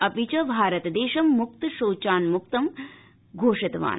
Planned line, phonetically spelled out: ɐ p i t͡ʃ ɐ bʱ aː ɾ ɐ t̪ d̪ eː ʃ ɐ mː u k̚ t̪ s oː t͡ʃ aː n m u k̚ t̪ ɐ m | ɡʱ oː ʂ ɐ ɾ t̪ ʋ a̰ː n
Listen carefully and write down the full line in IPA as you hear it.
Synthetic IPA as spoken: ɐ p i t͡ʃ ɐ bʱ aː ɾ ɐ t̪ d̪ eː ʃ ɐ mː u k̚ t̪ ʃ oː t͡ʃ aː n m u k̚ t̪ ɐ m | ɡʱ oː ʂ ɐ t̪ ʋ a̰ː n